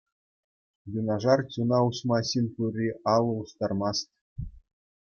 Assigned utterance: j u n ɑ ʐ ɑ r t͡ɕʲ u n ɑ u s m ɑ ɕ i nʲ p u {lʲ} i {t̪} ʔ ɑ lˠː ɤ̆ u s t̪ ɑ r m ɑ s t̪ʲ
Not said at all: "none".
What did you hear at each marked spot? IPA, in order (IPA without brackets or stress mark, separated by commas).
rʲ, none